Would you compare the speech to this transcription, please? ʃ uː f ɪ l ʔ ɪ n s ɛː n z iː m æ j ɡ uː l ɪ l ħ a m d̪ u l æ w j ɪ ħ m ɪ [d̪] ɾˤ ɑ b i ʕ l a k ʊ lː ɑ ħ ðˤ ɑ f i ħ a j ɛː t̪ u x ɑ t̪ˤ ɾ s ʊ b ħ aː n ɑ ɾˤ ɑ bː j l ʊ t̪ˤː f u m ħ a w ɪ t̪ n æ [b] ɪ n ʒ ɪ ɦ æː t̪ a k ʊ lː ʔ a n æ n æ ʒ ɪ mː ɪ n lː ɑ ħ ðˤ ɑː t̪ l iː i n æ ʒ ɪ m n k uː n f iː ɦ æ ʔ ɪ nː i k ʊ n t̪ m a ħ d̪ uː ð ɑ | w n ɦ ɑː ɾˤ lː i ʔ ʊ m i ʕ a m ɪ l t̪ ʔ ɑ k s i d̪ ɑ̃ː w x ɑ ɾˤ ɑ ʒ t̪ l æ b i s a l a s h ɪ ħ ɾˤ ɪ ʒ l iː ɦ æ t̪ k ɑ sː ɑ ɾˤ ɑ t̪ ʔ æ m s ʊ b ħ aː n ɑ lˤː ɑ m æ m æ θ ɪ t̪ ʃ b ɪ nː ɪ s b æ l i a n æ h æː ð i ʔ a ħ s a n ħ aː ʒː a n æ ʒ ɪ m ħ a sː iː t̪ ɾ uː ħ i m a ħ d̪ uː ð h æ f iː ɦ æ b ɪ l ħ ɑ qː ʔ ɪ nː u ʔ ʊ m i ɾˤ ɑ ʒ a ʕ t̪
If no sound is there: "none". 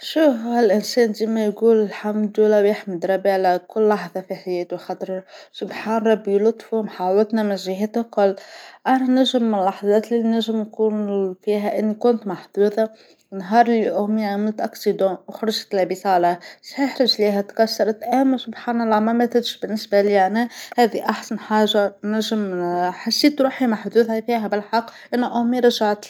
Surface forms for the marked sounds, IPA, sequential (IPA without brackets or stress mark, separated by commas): d̪, m